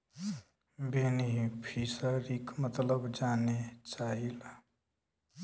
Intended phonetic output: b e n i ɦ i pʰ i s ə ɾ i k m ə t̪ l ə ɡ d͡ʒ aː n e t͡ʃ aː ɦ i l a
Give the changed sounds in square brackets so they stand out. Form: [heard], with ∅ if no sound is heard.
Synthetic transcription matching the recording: b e n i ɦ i pʰ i s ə ɾ i k m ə t̪ l ə [b] d͡ʒ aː n e t͡ʃ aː ɦ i l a